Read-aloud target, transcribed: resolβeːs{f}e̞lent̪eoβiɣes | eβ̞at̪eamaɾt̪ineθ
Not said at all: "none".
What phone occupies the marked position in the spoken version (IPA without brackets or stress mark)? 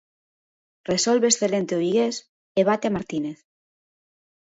θ